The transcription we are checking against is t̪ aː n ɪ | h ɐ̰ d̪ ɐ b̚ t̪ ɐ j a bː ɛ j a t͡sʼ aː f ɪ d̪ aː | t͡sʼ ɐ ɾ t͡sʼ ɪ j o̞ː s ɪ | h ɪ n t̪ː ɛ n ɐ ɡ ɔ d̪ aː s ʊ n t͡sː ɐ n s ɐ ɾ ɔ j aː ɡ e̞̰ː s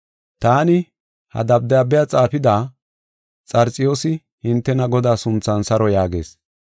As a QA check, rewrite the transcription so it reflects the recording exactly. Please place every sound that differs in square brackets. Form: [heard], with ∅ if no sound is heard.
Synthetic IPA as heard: t̪ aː n ɪ | h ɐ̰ d̪ ɐ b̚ [d̪] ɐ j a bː ɛ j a t͡sʼ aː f ɪ d̪ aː | t͡sʼ ɐ ɾ t͡sʼ ɪ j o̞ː s ɪ | h ɪ n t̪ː ɛ n ɐ ɡ ɔ d̪ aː s ʊ n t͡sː ɐ n s ɐ ɾ ɔ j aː ɡ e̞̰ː s